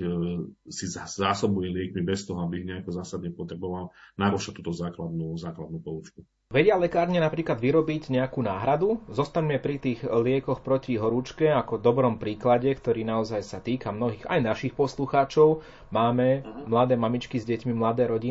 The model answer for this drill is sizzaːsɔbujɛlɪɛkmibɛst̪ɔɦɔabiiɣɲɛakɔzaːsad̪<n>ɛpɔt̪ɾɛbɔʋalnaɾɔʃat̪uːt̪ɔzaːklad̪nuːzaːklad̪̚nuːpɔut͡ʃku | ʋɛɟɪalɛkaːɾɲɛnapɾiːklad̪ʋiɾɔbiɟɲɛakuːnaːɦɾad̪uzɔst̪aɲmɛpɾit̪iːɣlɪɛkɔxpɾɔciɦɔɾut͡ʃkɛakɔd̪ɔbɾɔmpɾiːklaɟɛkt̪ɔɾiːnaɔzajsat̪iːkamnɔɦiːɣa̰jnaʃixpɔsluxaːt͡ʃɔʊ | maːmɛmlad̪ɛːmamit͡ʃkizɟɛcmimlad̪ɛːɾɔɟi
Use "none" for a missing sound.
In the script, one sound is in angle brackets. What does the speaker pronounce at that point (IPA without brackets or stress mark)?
ɲ